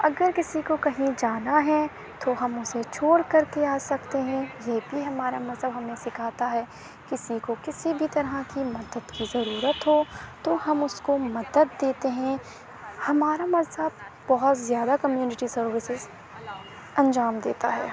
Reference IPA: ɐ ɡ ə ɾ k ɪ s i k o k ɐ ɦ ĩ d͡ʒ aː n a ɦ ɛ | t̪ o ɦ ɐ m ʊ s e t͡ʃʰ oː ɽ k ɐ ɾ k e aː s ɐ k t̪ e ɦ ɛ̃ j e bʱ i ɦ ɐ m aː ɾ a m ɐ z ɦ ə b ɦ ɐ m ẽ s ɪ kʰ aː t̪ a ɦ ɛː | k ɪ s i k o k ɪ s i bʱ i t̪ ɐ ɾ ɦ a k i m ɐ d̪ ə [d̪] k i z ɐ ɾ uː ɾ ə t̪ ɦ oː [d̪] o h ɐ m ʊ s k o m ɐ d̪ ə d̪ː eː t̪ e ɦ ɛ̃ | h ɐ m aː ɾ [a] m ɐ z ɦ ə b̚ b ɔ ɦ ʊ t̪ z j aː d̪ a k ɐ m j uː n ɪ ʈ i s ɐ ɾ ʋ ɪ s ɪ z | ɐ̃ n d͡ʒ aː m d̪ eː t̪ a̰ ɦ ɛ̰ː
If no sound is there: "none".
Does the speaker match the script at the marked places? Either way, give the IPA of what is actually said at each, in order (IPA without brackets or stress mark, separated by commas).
d̪, t̪, a